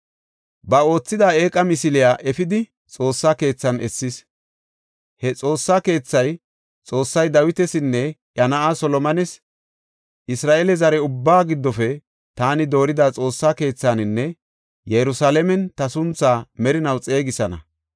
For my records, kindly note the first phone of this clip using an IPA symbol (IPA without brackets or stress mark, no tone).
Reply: b